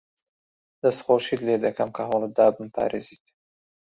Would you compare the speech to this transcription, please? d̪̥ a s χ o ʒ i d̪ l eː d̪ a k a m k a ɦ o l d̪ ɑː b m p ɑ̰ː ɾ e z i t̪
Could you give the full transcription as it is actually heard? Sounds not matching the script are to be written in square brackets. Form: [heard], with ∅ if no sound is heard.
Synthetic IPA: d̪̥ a s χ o [ʃ] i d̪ l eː d̪ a k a m k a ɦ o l d̪ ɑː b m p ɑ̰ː ɾ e z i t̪